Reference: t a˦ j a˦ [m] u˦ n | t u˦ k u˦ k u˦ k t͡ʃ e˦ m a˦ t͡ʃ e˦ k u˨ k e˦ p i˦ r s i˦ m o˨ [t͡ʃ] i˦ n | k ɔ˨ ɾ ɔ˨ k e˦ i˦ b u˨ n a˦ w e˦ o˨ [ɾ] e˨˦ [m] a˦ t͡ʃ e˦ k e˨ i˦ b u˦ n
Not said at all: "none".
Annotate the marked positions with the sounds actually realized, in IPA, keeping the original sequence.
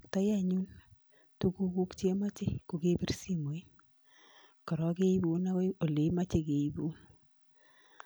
ɲ, none, l, m

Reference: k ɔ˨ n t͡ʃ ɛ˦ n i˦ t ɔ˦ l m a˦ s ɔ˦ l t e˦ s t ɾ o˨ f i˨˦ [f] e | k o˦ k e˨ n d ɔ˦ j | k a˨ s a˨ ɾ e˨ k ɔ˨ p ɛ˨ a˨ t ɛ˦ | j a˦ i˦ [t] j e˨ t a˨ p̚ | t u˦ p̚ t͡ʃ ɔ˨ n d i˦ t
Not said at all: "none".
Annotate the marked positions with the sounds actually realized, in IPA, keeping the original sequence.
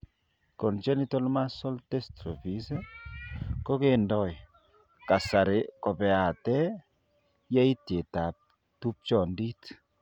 s, t

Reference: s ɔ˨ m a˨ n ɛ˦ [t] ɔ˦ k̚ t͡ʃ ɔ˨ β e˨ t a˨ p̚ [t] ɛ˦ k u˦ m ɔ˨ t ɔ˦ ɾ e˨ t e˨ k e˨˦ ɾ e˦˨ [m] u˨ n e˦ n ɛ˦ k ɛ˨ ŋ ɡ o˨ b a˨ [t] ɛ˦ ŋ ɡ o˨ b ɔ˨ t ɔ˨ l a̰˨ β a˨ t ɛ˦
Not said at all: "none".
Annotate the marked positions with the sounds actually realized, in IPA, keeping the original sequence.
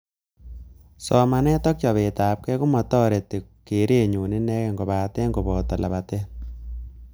t, k, ɲ, t

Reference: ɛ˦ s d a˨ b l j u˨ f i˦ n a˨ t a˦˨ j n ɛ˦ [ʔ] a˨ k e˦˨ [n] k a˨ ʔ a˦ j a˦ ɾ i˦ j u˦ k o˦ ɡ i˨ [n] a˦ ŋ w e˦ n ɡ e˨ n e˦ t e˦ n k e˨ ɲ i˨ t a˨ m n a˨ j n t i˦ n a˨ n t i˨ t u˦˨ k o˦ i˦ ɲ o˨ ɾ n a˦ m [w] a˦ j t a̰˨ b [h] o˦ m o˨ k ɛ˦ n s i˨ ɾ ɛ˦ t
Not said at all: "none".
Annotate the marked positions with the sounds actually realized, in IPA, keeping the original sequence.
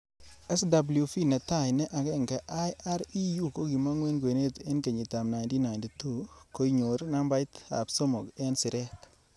ʔ, ŋ, m, b, s

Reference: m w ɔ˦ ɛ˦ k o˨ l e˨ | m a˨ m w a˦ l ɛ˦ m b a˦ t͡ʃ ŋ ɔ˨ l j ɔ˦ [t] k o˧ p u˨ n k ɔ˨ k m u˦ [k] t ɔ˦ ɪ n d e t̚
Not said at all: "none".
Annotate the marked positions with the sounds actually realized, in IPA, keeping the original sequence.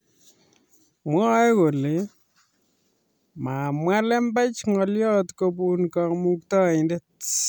t, k

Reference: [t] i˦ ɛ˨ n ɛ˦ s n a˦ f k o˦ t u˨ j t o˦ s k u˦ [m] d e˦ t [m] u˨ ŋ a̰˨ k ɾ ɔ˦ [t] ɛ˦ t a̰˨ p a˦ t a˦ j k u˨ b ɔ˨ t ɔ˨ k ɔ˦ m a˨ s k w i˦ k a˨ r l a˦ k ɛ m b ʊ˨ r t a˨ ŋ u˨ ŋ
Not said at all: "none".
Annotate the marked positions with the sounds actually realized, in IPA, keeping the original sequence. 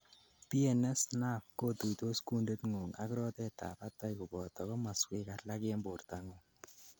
p, n, ŋ, t

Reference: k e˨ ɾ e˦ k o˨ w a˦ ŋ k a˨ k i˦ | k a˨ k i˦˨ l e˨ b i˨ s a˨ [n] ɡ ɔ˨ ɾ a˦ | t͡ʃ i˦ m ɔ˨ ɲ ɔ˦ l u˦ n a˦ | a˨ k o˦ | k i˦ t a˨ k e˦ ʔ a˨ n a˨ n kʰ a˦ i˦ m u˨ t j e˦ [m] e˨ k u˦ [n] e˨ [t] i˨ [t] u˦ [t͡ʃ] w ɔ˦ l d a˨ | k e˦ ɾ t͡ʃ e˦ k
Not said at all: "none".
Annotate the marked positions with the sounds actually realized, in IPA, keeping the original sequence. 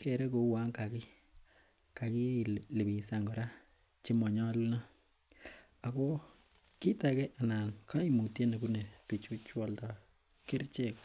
ŋ, n, n, p, t͡ʃ, t͡ʃ

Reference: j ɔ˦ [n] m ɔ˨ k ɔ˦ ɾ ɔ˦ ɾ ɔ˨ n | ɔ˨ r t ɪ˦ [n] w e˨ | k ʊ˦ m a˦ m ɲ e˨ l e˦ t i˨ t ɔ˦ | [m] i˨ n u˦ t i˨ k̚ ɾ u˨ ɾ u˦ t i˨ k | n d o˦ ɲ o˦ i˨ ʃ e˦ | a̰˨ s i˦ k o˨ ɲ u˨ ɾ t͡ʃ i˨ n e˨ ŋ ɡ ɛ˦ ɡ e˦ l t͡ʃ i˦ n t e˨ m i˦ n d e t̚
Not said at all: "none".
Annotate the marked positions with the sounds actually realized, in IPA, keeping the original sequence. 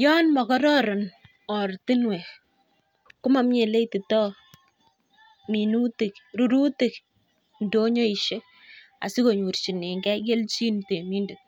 n, n, m

